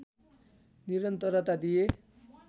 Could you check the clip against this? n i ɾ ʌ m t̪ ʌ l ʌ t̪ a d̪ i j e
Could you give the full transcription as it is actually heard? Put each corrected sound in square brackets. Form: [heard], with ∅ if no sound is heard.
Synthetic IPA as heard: n i ɾ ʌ [n] t̪ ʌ [ɾ] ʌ t̪ a d̪ i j e

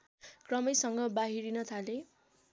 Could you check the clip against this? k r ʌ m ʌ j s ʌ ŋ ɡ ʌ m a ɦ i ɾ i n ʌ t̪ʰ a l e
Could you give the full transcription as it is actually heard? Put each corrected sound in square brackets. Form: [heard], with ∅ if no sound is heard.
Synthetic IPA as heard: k r ʌ m ʌ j s ʌ ŋ ɡ ʌ [b] a ɦ i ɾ i n ʌ t̪ʰ a l e

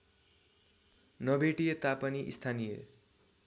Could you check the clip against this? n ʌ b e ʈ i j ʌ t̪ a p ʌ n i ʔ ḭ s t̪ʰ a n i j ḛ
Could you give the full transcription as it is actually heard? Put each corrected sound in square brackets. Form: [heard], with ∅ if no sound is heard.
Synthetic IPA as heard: n ʌ b e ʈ i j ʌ t̪ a p ʌ n i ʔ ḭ s t̪ʰ a n i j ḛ

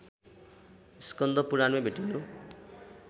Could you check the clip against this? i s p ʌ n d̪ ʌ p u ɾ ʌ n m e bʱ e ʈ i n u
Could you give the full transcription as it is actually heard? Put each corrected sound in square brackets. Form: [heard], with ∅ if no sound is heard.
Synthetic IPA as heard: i s [k] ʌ n d̪ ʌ p u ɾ [a] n m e bʱ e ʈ i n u

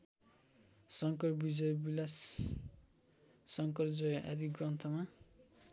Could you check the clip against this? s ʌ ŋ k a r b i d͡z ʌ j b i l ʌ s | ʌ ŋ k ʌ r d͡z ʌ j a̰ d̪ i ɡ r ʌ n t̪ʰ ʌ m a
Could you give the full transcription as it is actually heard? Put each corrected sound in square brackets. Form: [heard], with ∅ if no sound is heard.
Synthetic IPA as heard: s ʌ ŋ k [ʌ] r b i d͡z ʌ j b i l [a] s | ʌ ŋ k ʌ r d͡z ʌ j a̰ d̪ i ɡ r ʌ n t̪ʰ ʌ m a

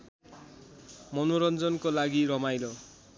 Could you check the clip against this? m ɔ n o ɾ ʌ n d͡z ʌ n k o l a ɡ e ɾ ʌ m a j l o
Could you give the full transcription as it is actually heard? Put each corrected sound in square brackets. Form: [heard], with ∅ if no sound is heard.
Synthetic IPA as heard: m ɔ n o ɾ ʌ n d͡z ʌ n k o l a ɡ [i] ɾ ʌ m a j l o

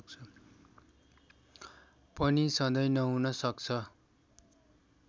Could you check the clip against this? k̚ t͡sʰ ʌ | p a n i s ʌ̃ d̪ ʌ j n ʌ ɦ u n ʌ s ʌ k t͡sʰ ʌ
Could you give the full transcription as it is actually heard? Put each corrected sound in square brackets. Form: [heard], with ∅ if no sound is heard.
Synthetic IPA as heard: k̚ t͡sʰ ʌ | p [ʌ] n i s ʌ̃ d̪ ʌ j n ʌ ɦ u n ʌ s ʌ k t͡sʰ ʌ

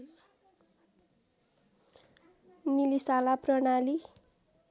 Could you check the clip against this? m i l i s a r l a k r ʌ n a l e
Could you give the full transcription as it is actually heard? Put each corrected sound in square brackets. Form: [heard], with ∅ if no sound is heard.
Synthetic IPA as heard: [n] i l i s a [∅] l a [p] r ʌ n a l [i]

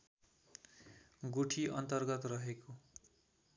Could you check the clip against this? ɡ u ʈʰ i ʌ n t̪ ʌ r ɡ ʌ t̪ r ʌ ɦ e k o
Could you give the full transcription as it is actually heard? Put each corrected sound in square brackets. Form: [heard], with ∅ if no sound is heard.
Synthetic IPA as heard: ɡ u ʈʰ i ʌ n t̪ ʌ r ɡ ʌ t̪ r ʌ ɦ e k o

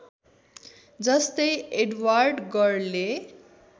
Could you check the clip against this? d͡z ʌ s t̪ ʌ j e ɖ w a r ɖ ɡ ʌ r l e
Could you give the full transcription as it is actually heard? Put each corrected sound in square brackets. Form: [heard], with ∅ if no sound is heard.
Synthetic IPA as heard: d͡z ʌ s t̪ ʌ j e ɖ w a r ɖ ɡ ʌ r l e

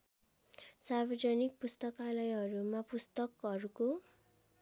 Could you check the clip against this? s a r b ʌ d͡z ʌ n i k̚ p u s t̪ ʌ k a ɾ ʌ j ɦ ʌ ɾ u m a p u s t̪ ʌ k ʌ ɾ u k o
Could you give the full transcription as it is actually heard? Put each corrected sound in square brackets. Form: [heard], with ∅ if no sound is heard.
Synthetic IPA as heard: s a r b ʌ d͡z ʌ n i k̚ p u s t̪ ʌ k a [l] ʌ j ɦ ʌ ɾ u m a p u s t̪ ʌ k ʌ ɾ u k o

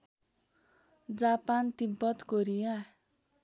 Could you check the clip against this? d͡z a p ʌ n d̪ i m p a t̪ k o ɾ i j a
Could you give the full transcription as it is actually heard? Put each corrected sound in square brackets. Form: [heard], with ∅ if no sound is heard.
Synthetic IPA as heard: d͡z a p [a] n [t̪] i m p [ʌ] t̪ k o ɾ i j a

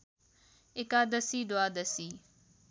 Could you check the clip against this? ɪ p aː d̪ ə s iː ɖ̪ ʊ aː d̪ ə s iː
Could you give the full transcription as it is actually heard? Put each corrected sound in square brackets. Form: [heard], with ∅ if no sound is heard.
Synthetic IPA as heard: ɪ [k] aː d̪ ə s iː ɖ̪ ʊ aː d̪ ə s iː

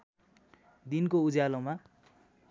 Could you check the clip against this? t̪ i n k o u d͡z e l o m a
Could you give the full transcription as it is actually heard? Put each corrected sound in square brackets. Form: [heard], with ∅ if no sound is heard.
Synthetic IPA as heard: [d̪] i n k o u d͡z [a] l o m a

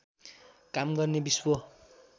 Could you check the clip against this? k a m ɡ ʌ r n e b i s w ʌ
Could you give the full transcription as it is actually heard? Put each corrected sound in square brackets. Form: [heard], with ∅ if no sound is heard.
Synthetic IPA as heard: k a m ɡ ʌ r n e b i s w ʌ

